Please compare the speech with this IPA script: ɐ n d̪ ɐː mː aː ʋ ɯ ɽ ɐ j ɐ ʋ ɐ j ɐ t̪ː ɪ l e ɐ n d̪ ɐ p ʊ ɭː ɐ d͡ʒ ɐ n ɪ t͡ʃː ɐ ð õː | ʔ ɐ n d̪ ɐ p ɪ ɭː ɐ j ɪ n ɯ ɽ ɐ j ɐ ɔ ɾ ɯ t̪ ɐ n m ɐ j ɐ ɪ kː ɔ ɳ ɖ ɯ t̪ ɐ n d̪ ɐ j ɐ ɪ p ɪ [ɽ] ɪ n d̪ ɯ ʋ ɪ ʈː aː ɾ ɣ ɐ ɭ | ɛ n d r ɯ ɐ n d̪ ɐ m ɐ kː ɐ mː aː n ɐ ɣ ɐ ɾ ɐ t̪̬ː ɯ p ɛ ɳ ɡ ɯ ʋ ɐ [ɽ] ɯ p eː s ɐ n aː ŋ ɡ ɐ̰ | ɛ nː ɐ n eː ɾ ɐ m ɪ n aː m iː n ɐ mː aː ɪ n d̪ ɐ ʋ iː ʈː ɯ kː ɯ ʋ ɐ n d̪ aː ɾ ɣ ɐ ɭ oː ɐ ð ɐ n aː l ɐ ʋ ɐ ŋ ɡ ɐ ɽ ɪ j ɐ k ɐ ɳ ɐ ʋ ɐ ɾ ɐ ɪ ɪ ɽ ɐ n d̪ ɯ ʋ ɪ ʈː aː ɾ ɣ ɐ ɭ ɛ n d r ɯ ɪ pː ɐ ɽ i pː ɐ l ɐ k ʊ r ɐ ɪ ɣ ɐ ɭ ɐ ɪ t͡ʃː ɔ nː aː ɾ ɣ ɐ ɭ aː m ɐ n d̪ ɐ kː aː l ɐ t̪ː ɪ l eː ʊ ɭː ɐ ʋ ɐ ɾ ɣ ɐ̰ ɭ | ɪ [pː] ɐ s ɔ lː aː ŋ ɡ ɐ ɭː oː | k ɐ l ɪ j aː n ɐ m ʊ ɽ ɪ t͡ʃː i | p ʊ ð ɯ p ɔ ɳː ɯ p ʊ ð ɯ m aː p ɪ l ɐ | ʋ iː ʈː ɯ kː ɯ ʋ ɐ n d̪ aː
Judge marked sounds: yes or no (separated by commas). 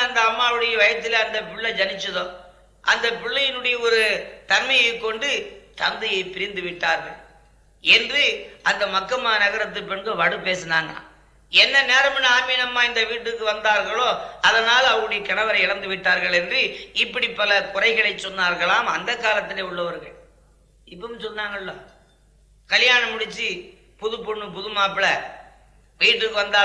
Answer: no, yes, yes